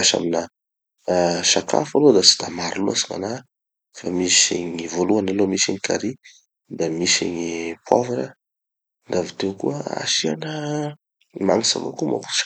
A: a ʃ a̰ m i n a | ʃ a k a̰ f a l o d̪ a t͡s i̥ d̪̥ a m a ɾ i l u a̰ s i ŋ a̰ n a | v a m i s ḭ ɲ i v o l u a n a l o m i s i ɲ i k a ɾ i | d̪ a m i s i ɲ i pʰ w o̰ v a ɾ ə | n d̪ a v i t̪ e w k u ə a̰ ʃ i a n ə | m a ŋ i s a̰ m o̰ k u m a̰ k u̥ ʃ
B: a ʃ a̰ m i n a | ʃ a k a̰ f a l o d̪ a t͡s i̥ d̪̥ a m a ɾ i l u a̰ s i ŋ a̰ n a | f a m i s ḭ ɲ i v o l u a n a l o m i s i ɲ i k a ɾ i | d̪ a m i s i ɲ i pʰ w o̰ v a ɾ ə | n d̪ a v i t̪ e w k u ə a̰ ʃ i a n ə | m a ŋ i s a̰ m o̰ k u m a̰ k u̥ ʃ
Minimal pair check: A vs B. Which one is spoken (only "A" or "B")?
B